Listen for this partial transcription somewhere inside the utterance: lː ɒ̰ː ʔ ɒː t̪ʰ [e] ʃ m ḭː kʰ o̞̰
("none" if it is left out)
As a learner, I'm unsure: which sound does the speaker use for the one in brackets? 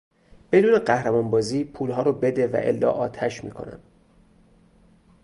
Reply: æ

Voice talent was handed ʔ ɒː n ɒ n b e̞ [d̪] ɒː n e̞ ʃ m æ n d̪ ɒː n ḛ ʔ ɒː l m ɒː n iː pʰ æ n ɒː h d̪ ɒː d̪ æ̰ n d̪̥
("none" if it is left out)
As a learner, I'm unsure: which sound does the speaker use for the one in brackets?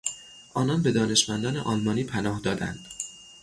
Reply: d̪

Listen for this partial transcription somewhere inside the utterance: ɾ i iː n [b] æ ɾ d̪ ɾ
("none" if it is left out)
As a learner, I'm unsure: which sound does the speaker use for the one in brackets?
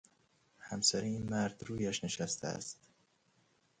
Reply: m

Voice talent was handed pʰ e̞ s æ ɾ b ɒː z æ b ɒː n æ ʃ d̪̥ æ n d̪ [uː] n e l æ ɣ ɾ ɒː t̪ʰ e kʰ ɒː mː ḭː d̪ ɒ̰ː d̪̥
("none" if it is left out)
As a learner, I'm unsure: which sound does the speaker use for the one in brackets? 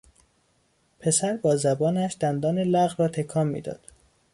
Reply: ɒː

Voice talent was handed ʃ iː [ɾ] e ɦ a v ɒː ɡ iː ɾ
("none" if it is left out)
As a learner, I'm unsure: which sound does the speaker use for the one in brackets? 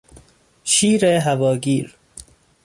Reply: ɾ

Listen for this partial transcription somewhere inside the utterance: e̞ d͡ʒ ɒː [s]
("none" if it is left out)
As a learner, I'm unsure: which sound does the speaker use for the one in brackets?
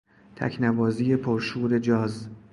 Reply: z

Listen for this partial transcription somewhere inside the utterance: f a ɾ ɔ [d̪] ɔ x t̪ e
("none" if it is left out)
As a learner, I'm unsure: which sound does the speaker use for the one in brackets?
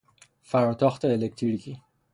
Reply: t̪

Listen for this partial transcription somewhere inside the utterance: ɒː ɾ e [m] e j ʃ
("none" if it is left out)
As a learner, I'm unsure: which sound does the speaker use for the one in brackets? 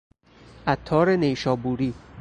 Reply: n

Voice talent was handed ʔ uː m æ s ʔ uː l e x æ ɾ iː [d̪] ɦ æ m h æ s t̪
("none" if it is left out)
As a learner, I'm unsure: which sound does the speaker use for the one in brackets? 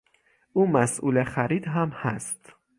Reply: d̪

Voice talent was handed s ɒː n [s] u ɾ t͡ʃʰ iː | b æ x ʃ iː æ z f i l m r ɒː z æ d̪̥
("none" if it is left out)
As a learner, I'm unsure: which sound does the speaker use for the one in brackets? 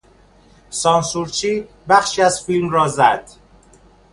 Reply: s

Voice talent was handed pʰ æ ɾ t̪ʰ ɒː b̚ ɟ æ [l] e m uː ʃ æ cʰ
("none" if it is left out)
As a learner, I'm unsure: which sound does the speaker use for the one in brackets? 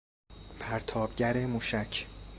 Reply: ɾ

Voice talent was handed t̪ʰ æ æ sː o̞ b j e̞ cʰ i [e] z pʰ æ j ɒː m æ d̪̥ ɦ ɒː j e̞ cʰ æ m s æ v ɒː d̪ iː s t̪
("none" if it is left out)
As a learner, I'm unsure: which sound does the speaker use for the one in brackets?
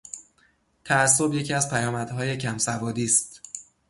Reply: æ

